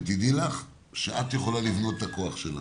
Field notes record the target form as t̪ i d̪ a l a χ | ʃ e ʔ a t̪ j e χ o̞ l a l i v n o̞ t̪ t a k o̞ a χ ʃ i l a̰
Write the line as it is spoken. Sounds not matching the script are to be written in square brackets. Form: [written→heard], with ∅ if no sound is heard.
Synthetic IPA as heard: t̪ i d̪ [a→i] l a χ | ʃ e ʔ a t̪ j e χ o̞ l a l i v n o̞ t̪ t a k o̞ a χ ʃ [i→e] l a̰

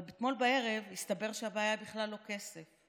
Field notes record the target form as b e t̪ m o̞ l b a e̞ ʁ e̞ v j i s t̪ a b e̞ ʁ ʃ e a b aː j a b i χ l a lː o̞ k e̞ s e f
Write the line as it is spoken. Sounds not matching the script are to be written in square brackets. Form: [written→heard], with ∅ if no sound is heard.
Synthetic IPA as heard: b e t̪ m o̞ l b a e̞ ʁ e̞ v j i s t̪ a b e̞ ʁ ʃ e a b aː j a b i χ l a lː o̞ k e̞ s e f

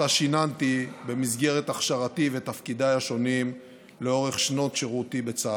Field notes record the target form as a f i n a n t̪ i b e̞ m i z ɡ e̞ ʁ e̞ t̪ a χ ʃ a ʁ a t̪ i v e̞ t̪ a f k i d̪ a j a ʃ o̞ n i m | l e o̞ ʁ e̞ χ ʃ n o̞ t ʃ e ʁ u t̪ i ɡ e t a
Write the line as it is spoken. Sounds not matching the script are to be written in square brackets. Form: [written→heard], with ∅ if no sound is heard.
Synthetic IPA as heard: a [f→ʃ] i n a n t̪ i b e̞ m i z ɡ e̞ ʁ e̞ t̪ a χ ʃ a ʁ a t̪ i v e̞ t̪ a f k i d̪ a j a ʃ o̞ n i m | l e o̞ ʁ e̞ χ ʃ n o̞ t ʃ e ʁ u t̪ i [ɡ→b] e [t→t͡s] a

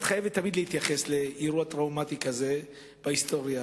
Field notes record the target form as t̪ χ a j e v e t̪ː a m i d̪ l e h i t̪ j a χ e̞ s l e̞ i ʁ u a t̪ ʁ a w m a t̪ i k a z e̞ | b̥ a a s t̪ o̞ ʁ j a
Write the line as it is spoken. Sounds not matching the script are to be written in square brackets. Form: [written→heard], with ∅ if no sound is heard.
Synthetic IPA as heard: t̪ χ a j e v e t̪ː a m i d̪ l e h i t̪ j a χ e̞ s l e̞ i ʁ u a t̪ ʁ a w m a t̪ i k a z e̞ | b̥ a [a→i] s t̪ o̞ ʁ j a

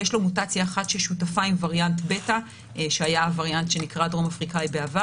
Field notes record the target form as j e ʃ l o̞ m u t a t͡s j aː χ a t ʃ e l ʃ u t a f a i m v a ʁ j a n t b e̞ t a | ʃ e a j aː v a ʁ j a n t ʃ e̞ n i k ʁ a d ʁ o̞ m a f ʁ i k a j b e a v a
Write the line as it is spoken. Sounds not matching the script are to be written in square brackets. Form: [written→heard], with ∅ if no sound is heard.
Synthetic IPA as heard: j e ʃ l o̞ m u t a t͡s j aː χ a t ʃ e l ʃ u t a f a i m v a ʁ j a n t b e̞ t a | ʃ e a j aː v a ʁ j a n t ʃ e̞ n i k ʁ a d ʁ o̞ m a f ʁ i k a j b e a v a

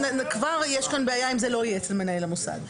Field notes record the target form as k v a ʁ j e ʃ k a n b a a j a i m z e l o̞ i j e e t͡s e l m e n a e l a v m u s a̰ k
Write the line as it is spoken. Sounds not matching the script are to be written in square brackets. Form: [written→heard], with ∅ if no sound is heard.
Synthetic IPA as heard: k v a ʁ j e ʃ k a n b [a→e] a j a i m z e l o̞ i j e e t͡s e l m e n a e l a [v→∅] m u s a̰ [k→ɡ]

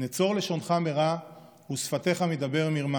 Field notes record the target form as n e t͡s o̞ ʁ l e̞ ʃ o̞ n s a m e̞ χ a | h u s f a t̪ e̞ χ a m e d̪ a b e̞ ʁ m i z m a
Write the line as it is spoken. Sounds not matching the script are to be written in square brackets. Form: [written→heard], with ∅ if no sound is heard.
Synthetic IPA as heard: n e t͡s o̞ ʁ l e̞ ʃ o̞ n [s→χ] a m e̞ [χ→ʁ] a | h u s f a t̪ e̞ χ a m e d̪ a b e̞ ʁ m i [z→ʁ] m a

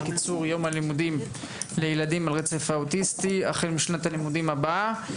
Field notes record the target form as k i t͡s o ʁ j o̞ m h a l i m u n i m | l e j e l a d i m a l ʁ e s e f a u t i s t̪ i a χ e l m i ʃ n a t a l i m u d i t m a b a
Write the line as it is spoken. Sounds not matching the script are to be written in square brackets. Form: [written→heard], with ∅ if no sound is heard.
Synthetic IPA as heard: k i t͡s [o→u] ʁ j o̞ m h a l i m u [n→d] i m | l e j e l a d i m a l ʁ e [s→t͡s] e f a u t i s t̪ i a χ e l m i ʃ n a t a l i m u d i [t→∅] m a b a

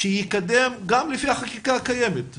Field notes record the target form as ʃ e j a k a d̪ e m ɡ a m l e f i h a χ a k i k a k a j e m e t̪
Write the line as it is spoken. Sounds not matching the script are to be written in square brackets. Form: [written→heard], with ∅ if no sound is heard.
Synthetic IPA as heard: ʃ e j [a→i] k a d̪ e m ɡ a m l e f i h a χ a k i k a k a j e m e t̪

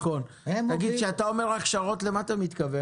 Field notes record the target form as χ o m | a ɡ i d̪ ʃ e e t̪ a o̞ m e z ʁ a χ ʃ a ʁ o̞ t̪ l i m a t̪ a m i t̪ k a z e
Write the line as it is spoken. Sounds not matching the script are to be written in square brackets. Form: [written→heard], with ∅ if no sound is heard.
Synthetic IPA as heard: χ o [m→n] | a ɡ i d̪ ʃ e [e→a] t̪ a o̞ m e [z→ʁ] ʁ a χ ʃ a ʁ o̞ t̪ l [i→e] m a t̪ a m i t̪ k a [z→v] e

